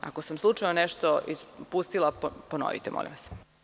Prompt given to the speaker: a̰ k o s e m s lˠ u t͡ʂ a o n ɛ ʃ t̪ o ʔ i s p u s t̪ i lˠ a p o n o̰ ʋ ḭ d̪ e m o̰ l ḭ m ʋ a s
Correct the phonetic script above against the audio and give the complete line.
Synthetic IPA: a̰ k o s a m s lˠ u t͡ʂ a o n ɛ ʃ t̪ o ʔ i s p u s t̪ i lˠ a p o n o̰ ʋ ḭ t̪ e m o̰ l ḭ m ʋ a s

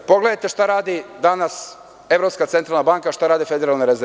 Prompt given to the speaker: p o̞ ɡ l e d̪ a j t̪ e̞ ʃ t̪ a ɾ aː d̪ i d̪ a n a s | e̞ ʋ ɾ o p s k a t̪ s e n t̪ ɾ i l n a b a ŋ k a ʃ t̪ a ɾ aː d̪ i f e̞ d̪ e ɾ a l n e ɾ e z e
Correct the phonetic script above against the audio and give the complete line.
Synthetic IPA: p o̞ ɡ l e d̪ a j t̪ e̞ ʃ t̪ a ɾ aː d̪ i d̪ a n a s | e̞ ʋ ɾ o p s k a t̪ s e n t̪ ɾ a l n a b a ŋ k a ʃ t̪ a ɾ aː d̪ i f e̞ d̪ e ɾ a l n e ɾ e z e

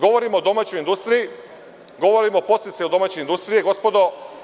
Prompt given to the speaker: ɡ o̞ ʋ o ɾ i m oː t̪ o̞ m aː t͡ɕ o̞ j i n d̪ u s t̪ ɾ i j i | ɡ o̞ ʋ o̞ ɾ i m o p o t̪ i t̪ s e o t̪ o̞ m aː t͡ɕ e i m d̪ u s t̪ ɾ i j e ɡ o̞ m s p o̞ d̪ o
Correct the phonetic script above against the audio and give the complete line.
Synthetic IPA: ɡ o̞ ʋ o ɾ i m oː d̪ o̞ m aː t͡ɕ o̞ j i n d̪ u s t̪ ɾ i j i | ɡ o̞ ʋ o̞ ɾ i m o p o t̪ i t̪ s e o d̪ o̞ m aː t͡ɕ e i n d̪ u s t̪ ɾ i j e ɡ o̞ s p o̞ d̪ o

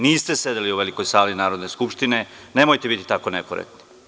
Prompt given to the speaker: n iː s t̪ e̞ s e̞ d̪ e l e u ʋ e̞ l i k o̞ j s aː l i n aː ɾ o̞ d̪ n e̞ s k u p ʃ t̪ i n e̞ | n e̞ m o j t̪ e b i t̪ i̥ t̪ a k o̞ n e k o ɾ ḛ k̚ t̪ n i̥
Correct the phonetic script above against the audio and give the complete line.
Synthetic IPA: n iː s t̪ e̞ s e̞ d̪ e l i u ʋ e̞ l i k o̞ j s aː l i n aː ɾ o̞ d̪ n e̞ s k u p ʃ t̪ i n e̞ | n e̞ m o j t̪ e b i t̪ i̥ t̪ a k o̞ n e k o ɾ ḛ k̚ t̪ n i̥

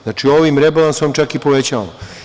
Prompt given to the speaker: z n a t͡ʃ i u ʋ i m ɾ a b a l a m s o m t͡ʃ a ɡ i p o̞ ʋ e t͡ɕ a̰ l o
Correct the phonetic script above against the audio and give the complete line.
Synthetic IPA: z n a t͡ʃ i o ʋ i m ɾ e b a l a n s o m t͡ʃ a k i p o̞ ʋ e t͡ɕ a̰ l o

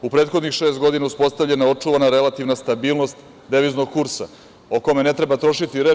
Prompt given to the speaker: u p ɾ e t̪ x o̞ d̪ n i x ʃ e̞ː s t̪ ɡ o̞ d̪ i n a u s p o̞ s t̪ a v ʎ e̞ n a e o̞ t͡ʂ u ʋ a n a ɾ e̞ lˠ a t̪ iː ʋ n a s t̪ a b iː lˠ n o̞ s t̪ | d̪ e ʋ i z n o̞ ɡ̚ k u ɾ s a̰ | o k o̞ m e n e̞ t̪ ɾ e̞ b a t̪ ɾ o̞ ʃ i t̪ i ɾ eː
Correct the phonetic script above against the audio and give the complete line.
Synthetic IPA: u p ɾ e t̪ x o̞ d̪ n i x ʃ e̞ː s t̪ ɡ o̞ d̪ i n a u s p o̞ s t̪ a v ʎ e̞ n a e o̞ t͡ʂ u ʋ a n a ɾ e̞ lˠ a t̪ i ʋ n a s t̪ a b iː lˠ n o̞ s t̪ | d̪ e ʋ i z n o̞ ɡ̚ k u ɾ s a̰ | o k o̞ m e n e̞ t̪ ɾ e̞ b a t̪ ɾ o̞ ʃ i t̪ i ɾ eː

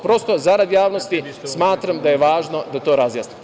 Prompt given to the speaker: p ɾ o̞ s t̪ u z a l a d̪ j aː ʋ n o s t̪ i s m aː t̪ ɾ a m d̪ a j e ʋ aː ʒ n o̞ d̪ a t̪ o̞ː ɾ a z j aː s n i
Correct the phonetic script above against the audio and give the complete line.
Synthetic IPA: p ɾ o̞ s t̪ o z a ɾ a d̪ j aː ʋ n o s t̪ i s m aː t̪ ɾ a m d̪ a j e ʋ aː ʒ n o̞ d̪ a t̪ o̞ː ɾ a z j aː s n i

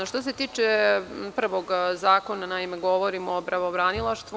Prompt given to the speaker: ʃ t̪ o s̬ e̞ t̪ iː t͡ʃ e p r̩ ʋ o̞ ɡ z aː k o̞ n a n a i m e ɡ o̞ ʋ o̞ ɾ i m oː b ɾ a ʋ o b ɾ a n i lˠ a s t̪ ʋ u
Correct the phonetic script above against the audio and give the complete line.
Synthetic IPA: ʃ t̪ o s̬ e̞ t̪ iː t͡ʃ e p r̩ ʋ o̞ ɡ z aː k o̞ n a n a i m e ɡ o̞ ʋ o̞ ɾ i m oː b ɾ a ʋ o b ɾ a n i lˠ a ʃ t̪ ʋ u

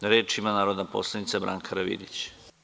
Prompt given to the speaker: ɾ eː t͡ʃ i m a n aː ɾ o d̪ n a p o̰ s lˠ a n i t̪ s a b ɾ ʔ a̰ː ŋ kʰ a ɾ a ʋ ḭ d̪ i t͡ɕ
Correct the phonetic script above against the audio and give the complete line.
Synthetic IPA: ɾ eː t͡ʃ i m a n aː ɾ o d̪ n a p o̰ s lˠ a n i t̪ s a b ɾ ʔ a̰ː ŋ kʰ a ɾ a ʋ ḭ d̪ i t͡ɕ

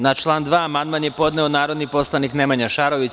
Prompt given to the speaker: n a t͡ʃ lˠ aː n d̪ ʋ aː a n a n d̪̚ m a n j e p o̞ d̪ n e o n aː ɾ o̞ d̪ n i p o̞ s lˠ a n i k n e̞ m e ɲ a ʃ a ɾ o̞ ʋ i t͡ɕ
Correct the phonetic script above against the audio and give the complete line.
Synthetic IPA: n a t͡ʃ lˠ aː n d̪ ʋ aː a m a n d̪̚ m a n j e p o̞ d̪ n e o n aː ɾ o̞ d̪ n i p o̞ s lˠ a n i k n e̞ m a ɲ a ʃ a ɾ o̞ ʋ i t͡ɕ

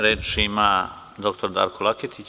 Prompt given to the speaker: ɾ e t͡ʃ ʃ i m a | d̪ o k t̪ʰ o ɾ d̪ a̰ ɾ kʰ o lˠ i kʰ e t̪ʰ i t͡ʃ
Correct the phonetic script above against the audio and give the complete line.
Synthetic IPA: ɾ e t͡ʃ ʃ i m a | d̪ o k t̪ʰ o ɾ d̪ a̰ ɾ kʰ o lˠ a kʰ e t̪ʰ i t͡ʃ

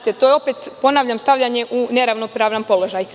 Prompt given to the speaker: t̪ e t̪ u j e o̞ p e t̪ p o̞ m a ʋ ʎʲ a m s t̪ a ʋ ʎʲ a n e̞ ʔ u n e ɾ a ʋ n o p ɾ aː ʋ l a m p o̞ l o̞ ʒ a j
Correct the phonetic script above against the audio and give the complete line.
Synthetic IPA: t̪ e t̪ o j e o̞ p e t̪ p o̞ n a ʋ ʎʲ a m s t̪ a ʋ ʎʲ a ɲ e̞ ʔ u n e ɾ a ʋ n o p ɾ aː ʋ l a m p o̞ l o̞ ʒ a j

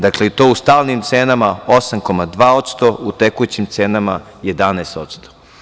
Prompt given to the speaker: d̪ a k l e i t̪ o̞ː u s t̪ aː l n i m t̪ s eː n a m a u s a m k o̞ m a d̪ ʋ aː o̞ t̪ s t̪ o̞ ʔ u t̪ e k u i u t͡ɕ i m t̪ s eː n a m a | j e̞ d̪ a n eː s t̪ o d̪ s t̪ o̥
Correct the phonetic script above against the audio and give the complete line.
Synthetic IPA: d̪ a k l e i t̪ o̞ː u s t̪ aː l n i m t̪ s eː n a m a o s a m k o̞ m a d̪ ʋ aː o̞ t̪ s t̪ o̞ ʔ u t̪ e k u j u t͡ɕ i m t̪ s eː n a m a | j e̞ d̪ a n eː s t̪ o t̪ s t̪ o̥

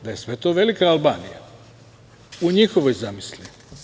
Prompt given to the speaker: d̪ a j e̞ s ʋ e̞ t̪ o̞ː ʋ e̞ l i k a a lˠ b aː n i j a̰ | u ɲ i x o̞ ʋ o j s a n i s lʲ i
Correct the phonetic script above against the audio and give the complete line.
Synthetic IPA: d̪ a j e̞ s ʋ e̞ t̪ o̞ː ʋ e̞ l i k a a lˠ b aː n i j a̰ | u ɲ i x o̞ ʋ o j z a m i s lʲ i

